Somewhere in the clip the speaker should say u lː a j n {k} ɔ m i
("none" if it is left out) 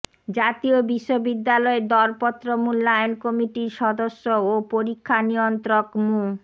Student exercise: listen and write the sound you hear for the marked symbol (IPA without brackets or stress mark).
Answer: k